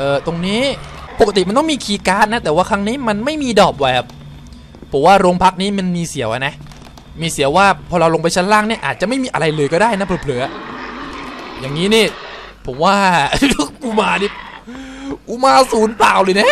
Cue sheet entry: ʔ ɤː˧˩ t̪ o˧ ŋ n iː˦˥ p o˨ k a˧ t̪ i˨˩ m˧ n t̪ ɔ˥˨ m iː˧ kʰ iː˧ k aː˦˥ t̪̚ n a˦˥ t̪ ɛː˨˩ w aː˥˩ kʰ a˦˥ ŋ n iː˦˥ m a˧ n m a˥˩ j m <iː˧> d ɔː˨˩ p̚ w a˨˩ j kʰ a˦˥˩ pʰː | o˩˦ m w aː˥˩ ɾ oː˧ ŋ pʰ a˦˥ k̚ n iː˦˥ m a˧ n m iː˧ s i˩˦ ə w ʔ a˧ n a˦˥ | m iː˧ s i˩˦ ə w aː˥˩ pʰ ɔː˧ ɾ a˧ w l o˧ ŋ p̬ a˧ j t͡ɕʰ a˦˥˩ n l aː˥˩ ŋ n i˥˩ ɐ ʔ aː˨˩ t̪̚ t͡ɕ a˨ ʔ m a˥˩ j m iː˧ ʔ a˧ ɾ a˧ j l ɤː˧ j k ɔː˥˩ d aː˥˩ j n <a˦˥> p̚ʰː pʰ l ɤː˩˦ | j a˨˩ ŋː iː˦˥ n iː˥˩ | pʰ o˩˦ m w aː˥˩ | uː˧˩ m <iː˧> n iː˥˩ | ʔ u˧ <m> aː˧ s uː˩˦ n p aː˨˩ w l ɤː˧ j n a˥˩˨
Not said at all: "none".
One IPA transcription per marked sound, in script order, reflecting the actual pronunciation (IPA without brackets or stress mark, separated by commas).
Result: iː˧, a˦˥, aː˧, m